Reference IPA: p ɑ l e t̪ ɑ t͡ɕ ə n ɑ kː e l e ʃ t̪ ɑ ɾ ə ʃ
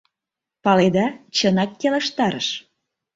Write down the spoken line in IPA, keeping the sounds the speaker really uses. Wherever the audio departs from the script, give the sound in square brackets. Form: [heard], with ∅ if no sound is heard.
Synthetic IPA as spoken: p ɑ l e [d̪] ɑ t͡ɕ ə n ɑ kː e l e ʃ t̪ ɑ ɾ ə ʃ